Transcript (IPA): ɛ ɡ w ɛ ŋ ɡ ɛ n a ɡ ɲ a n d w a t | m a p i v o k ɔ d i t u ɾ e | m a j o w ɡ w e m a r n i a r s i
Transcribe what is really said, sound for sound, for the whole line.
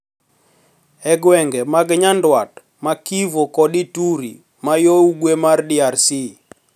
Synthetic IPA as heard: ɛ ɡ w ɛ ŋ ɡ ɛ m a ɡ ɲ a n d w a t | m a k i v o k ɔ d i t u ɾ i | m a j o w ɡ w e m a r d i a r s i